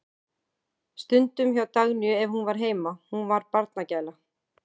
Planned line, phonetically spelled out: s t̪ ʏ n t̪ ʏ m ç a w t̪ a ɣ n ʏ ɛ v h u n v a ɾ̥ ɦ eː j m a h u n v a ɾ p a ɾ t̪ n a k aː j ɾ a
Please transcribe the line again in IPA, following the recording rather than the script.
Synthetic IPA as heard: s t̪ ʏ n t̪ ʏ m ç a w t̪ a ɣ n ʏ ɛ v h u n v a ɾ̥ ɦ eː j m a h u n v a ɾ p a ɾ t̪ n a c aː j l a